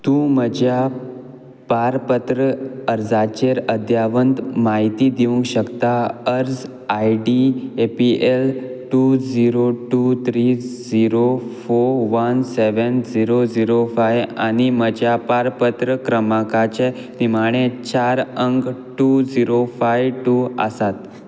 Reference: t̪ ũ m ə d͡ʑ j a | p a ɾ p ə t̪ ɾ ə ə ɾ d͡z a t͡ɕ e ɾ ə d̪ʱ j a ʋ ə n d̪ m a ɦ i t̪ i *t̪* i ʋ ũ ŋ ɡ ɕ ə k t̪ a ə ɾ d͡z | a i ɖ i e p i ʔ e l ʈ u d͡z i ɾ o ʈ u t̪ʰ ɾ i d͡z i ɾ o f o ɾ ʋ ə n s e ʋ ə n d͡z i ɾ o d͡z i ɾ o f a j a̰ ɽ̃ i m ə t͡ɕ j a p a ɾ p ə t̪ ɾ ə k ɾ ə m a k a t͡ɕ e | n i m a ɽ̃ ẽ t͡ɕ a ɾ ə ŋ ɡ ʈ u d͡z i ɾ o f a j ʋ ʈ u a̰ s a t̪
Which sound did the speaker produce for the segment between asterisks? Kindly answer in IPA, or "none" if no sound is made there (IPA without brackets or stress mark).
d̪